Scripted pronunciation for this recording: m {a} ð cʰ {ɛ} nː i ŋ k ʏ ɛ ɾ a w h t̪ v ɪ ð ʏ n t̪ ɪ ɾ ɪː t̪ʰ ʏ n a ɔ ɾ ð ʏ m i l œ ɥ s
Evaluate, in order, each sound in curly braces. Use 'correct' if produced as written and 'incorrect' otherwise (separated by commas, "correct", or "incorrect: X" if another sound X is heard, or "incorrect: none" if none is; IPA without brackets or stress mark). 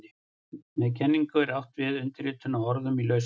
incorrect: ɛ, correct